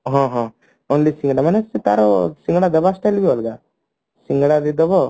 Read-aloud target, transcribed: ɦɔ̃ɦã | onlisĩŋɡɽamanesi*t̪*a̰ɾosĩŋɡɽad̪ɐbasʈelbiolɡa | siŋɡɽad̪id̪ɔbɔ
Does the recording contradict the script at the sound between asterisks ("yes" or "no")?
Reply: no